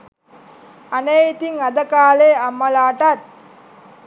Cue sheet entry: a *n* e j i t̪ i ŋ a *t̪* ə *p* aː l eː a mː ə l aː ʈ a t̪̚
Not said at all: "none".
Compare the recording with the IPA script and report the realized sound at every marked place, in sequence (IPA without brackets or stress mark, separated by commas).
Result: n, d̪, k